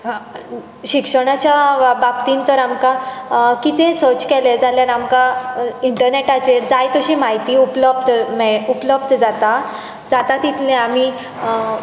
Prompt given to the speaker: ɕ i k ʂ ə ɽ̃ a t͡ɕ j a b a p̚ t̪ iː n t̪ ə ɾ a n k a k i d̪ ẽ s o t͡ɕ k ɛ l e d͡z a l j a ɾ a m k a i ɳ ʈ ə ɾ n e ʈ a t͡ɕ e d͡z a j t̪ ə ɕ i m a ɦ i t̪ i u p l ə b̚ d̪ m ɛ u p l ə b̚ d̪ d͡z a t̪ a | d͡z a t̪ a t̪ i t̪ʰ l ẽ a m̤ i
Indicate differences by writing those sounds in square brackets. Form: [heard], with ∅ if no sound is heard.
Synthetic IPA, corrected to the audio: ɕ i k ʂ ə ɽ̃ a t͡ɕ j a b a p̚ t̪ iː n t̪ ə ɾ a [m] k a k i [t̪] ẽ s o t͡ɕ k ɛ l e d͡z a l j a ɾ a m k a i ɳ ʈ ə ɾ n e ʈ a t͡ɕ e d͡z a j t̪ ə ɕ i m a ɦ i t̪ i u p l ə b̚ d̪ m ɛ u p l ə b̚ d̪ d͡z a t̪ a | d͡z a t̪ a t̪ i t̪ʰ l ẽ a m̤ i